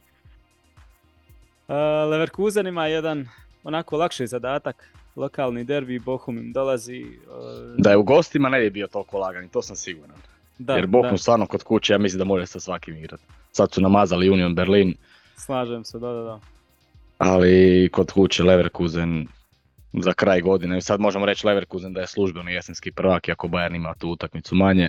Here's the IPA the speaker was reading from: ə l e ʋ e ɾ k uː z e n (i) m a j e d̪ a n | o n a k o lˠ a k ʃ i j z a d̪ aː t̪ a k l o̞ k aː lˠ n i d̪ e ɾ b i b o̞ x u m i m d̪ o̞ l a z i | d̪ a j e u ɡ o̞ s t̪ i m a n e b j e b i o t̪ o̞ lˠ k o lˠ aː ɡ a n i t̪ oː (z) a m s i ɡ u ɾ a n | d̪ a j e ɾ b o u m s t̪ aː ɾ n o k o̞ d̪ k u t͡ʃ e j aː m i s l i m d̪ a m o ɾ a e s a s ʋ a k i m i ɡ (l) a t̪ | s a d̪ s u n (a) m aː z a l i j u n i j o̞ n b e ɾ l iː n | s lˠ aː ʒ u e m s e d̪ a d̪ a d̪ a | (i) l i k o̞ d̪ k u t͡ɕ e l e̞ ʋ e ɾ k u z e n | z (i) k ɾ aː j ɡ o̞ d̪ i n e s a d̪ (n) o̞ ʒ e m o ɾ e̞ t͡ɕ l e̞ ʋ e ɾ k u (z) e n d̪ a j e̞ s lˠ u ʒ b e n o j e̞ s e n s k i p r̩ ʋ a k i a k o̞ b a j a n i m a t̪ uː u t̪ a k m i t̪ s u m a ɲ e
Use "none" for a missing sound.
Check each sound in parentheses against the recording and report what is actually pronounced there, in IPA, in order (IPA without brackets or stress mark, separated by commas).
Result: i, s, ɾ, a, a, a, m, z